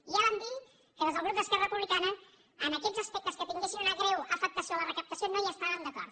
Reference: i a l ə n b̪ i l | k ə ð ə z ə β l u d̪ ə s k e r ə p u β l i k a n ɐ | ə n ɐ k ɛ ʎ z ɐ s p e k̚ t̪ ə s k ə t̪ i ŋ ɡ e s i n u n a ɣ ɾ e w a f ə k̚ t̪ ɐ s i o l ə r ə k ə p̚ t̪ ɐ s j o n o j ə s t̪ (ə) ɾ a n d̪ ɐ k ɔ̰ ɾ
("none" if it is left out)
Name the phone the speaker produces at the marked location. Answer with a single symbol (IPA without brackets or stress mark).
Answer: a